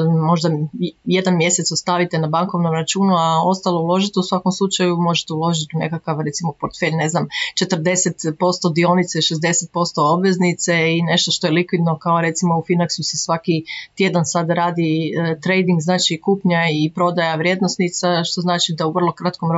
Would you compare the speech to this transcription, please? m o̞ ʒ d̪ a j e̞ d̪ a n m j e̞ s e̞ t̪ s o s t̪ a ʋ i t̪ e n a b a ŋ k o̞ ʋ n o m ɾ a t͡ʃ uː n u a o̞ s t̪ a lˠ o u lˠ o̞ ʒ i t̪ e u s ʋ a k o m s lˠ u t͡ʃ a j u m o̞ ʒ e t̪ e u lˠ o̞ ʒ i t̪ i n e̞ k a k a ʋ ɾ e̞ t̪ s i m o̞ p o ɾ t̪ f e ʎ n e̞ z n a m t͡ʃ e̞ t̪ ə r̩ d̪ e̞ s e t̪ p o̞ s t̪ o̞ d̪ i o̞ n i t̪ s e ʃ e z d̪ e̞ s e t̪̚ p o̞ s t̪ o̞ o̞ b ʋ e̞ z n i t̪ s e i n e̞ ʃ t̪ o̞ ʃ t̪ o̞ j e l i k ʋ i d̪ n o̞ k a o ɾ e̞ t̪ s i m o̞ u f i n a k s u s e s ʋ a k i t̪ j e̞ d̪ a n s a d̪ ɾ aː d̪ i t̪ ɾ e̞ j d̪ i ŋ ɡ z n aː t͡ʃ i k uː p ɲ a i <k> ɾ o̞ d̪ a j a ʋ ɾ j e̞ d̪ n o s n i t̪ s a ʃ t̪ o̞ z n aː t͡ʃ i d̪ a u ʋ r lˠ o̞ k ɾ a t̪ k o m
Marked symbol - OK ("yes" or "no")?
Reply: no